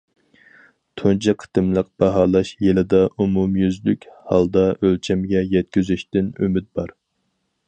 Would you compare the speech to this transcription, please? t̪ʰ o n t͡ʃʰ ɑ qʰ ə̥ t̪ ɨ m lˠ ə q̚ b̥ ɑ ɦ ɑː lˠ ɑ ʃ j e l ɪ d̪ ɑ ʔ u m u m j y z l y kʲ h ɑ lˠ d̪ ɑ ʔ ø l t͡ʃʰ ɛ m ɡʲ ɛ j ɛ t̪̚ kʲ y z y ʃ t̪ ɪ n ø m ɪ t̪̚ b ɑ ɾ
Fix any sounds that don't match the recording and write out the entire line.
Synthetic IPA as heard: t̪ʰ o n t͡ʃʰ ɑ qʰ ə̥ t̪ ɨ m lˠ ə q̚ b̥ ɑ ɦ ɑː lˠ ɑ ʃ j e l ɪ d̪ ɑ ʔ u m u m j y z l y kʲ h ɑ lˠ d̪ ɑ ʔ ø l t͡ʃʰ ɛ m ɡʲ ɛ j ɛ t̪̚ kʲ y z y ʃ t̪ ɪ n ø m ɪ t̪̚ b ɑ ɾ